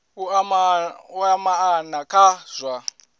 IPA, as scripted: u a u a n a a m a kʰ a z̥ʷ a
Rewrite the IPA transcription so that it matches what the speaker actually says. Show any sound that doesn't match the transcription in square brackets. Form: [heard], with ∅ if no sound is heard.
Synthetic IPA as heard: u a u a [m] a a [n] a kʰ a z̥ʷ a